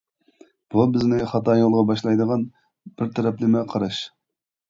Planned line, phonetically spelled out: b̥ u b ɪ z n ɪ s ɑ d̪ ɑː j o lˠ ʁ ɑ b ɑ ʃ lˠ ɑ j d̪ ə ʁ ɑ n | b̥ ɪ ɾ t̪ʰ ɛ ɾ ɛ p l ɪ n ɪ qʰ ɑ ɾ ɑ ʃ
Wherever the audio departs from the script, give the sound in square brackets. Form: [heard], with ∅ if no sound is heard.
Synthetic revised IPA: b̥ u b ɪ z n ɪ [χ] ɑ [t̪] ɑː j o lˠ ʁ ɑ b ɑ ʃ lˠ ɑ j d̪ ə ʁ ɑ n | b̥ ɪ ɾ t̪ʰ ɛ ɾ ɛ p l ɪ [m] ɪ qʰ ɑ ɾ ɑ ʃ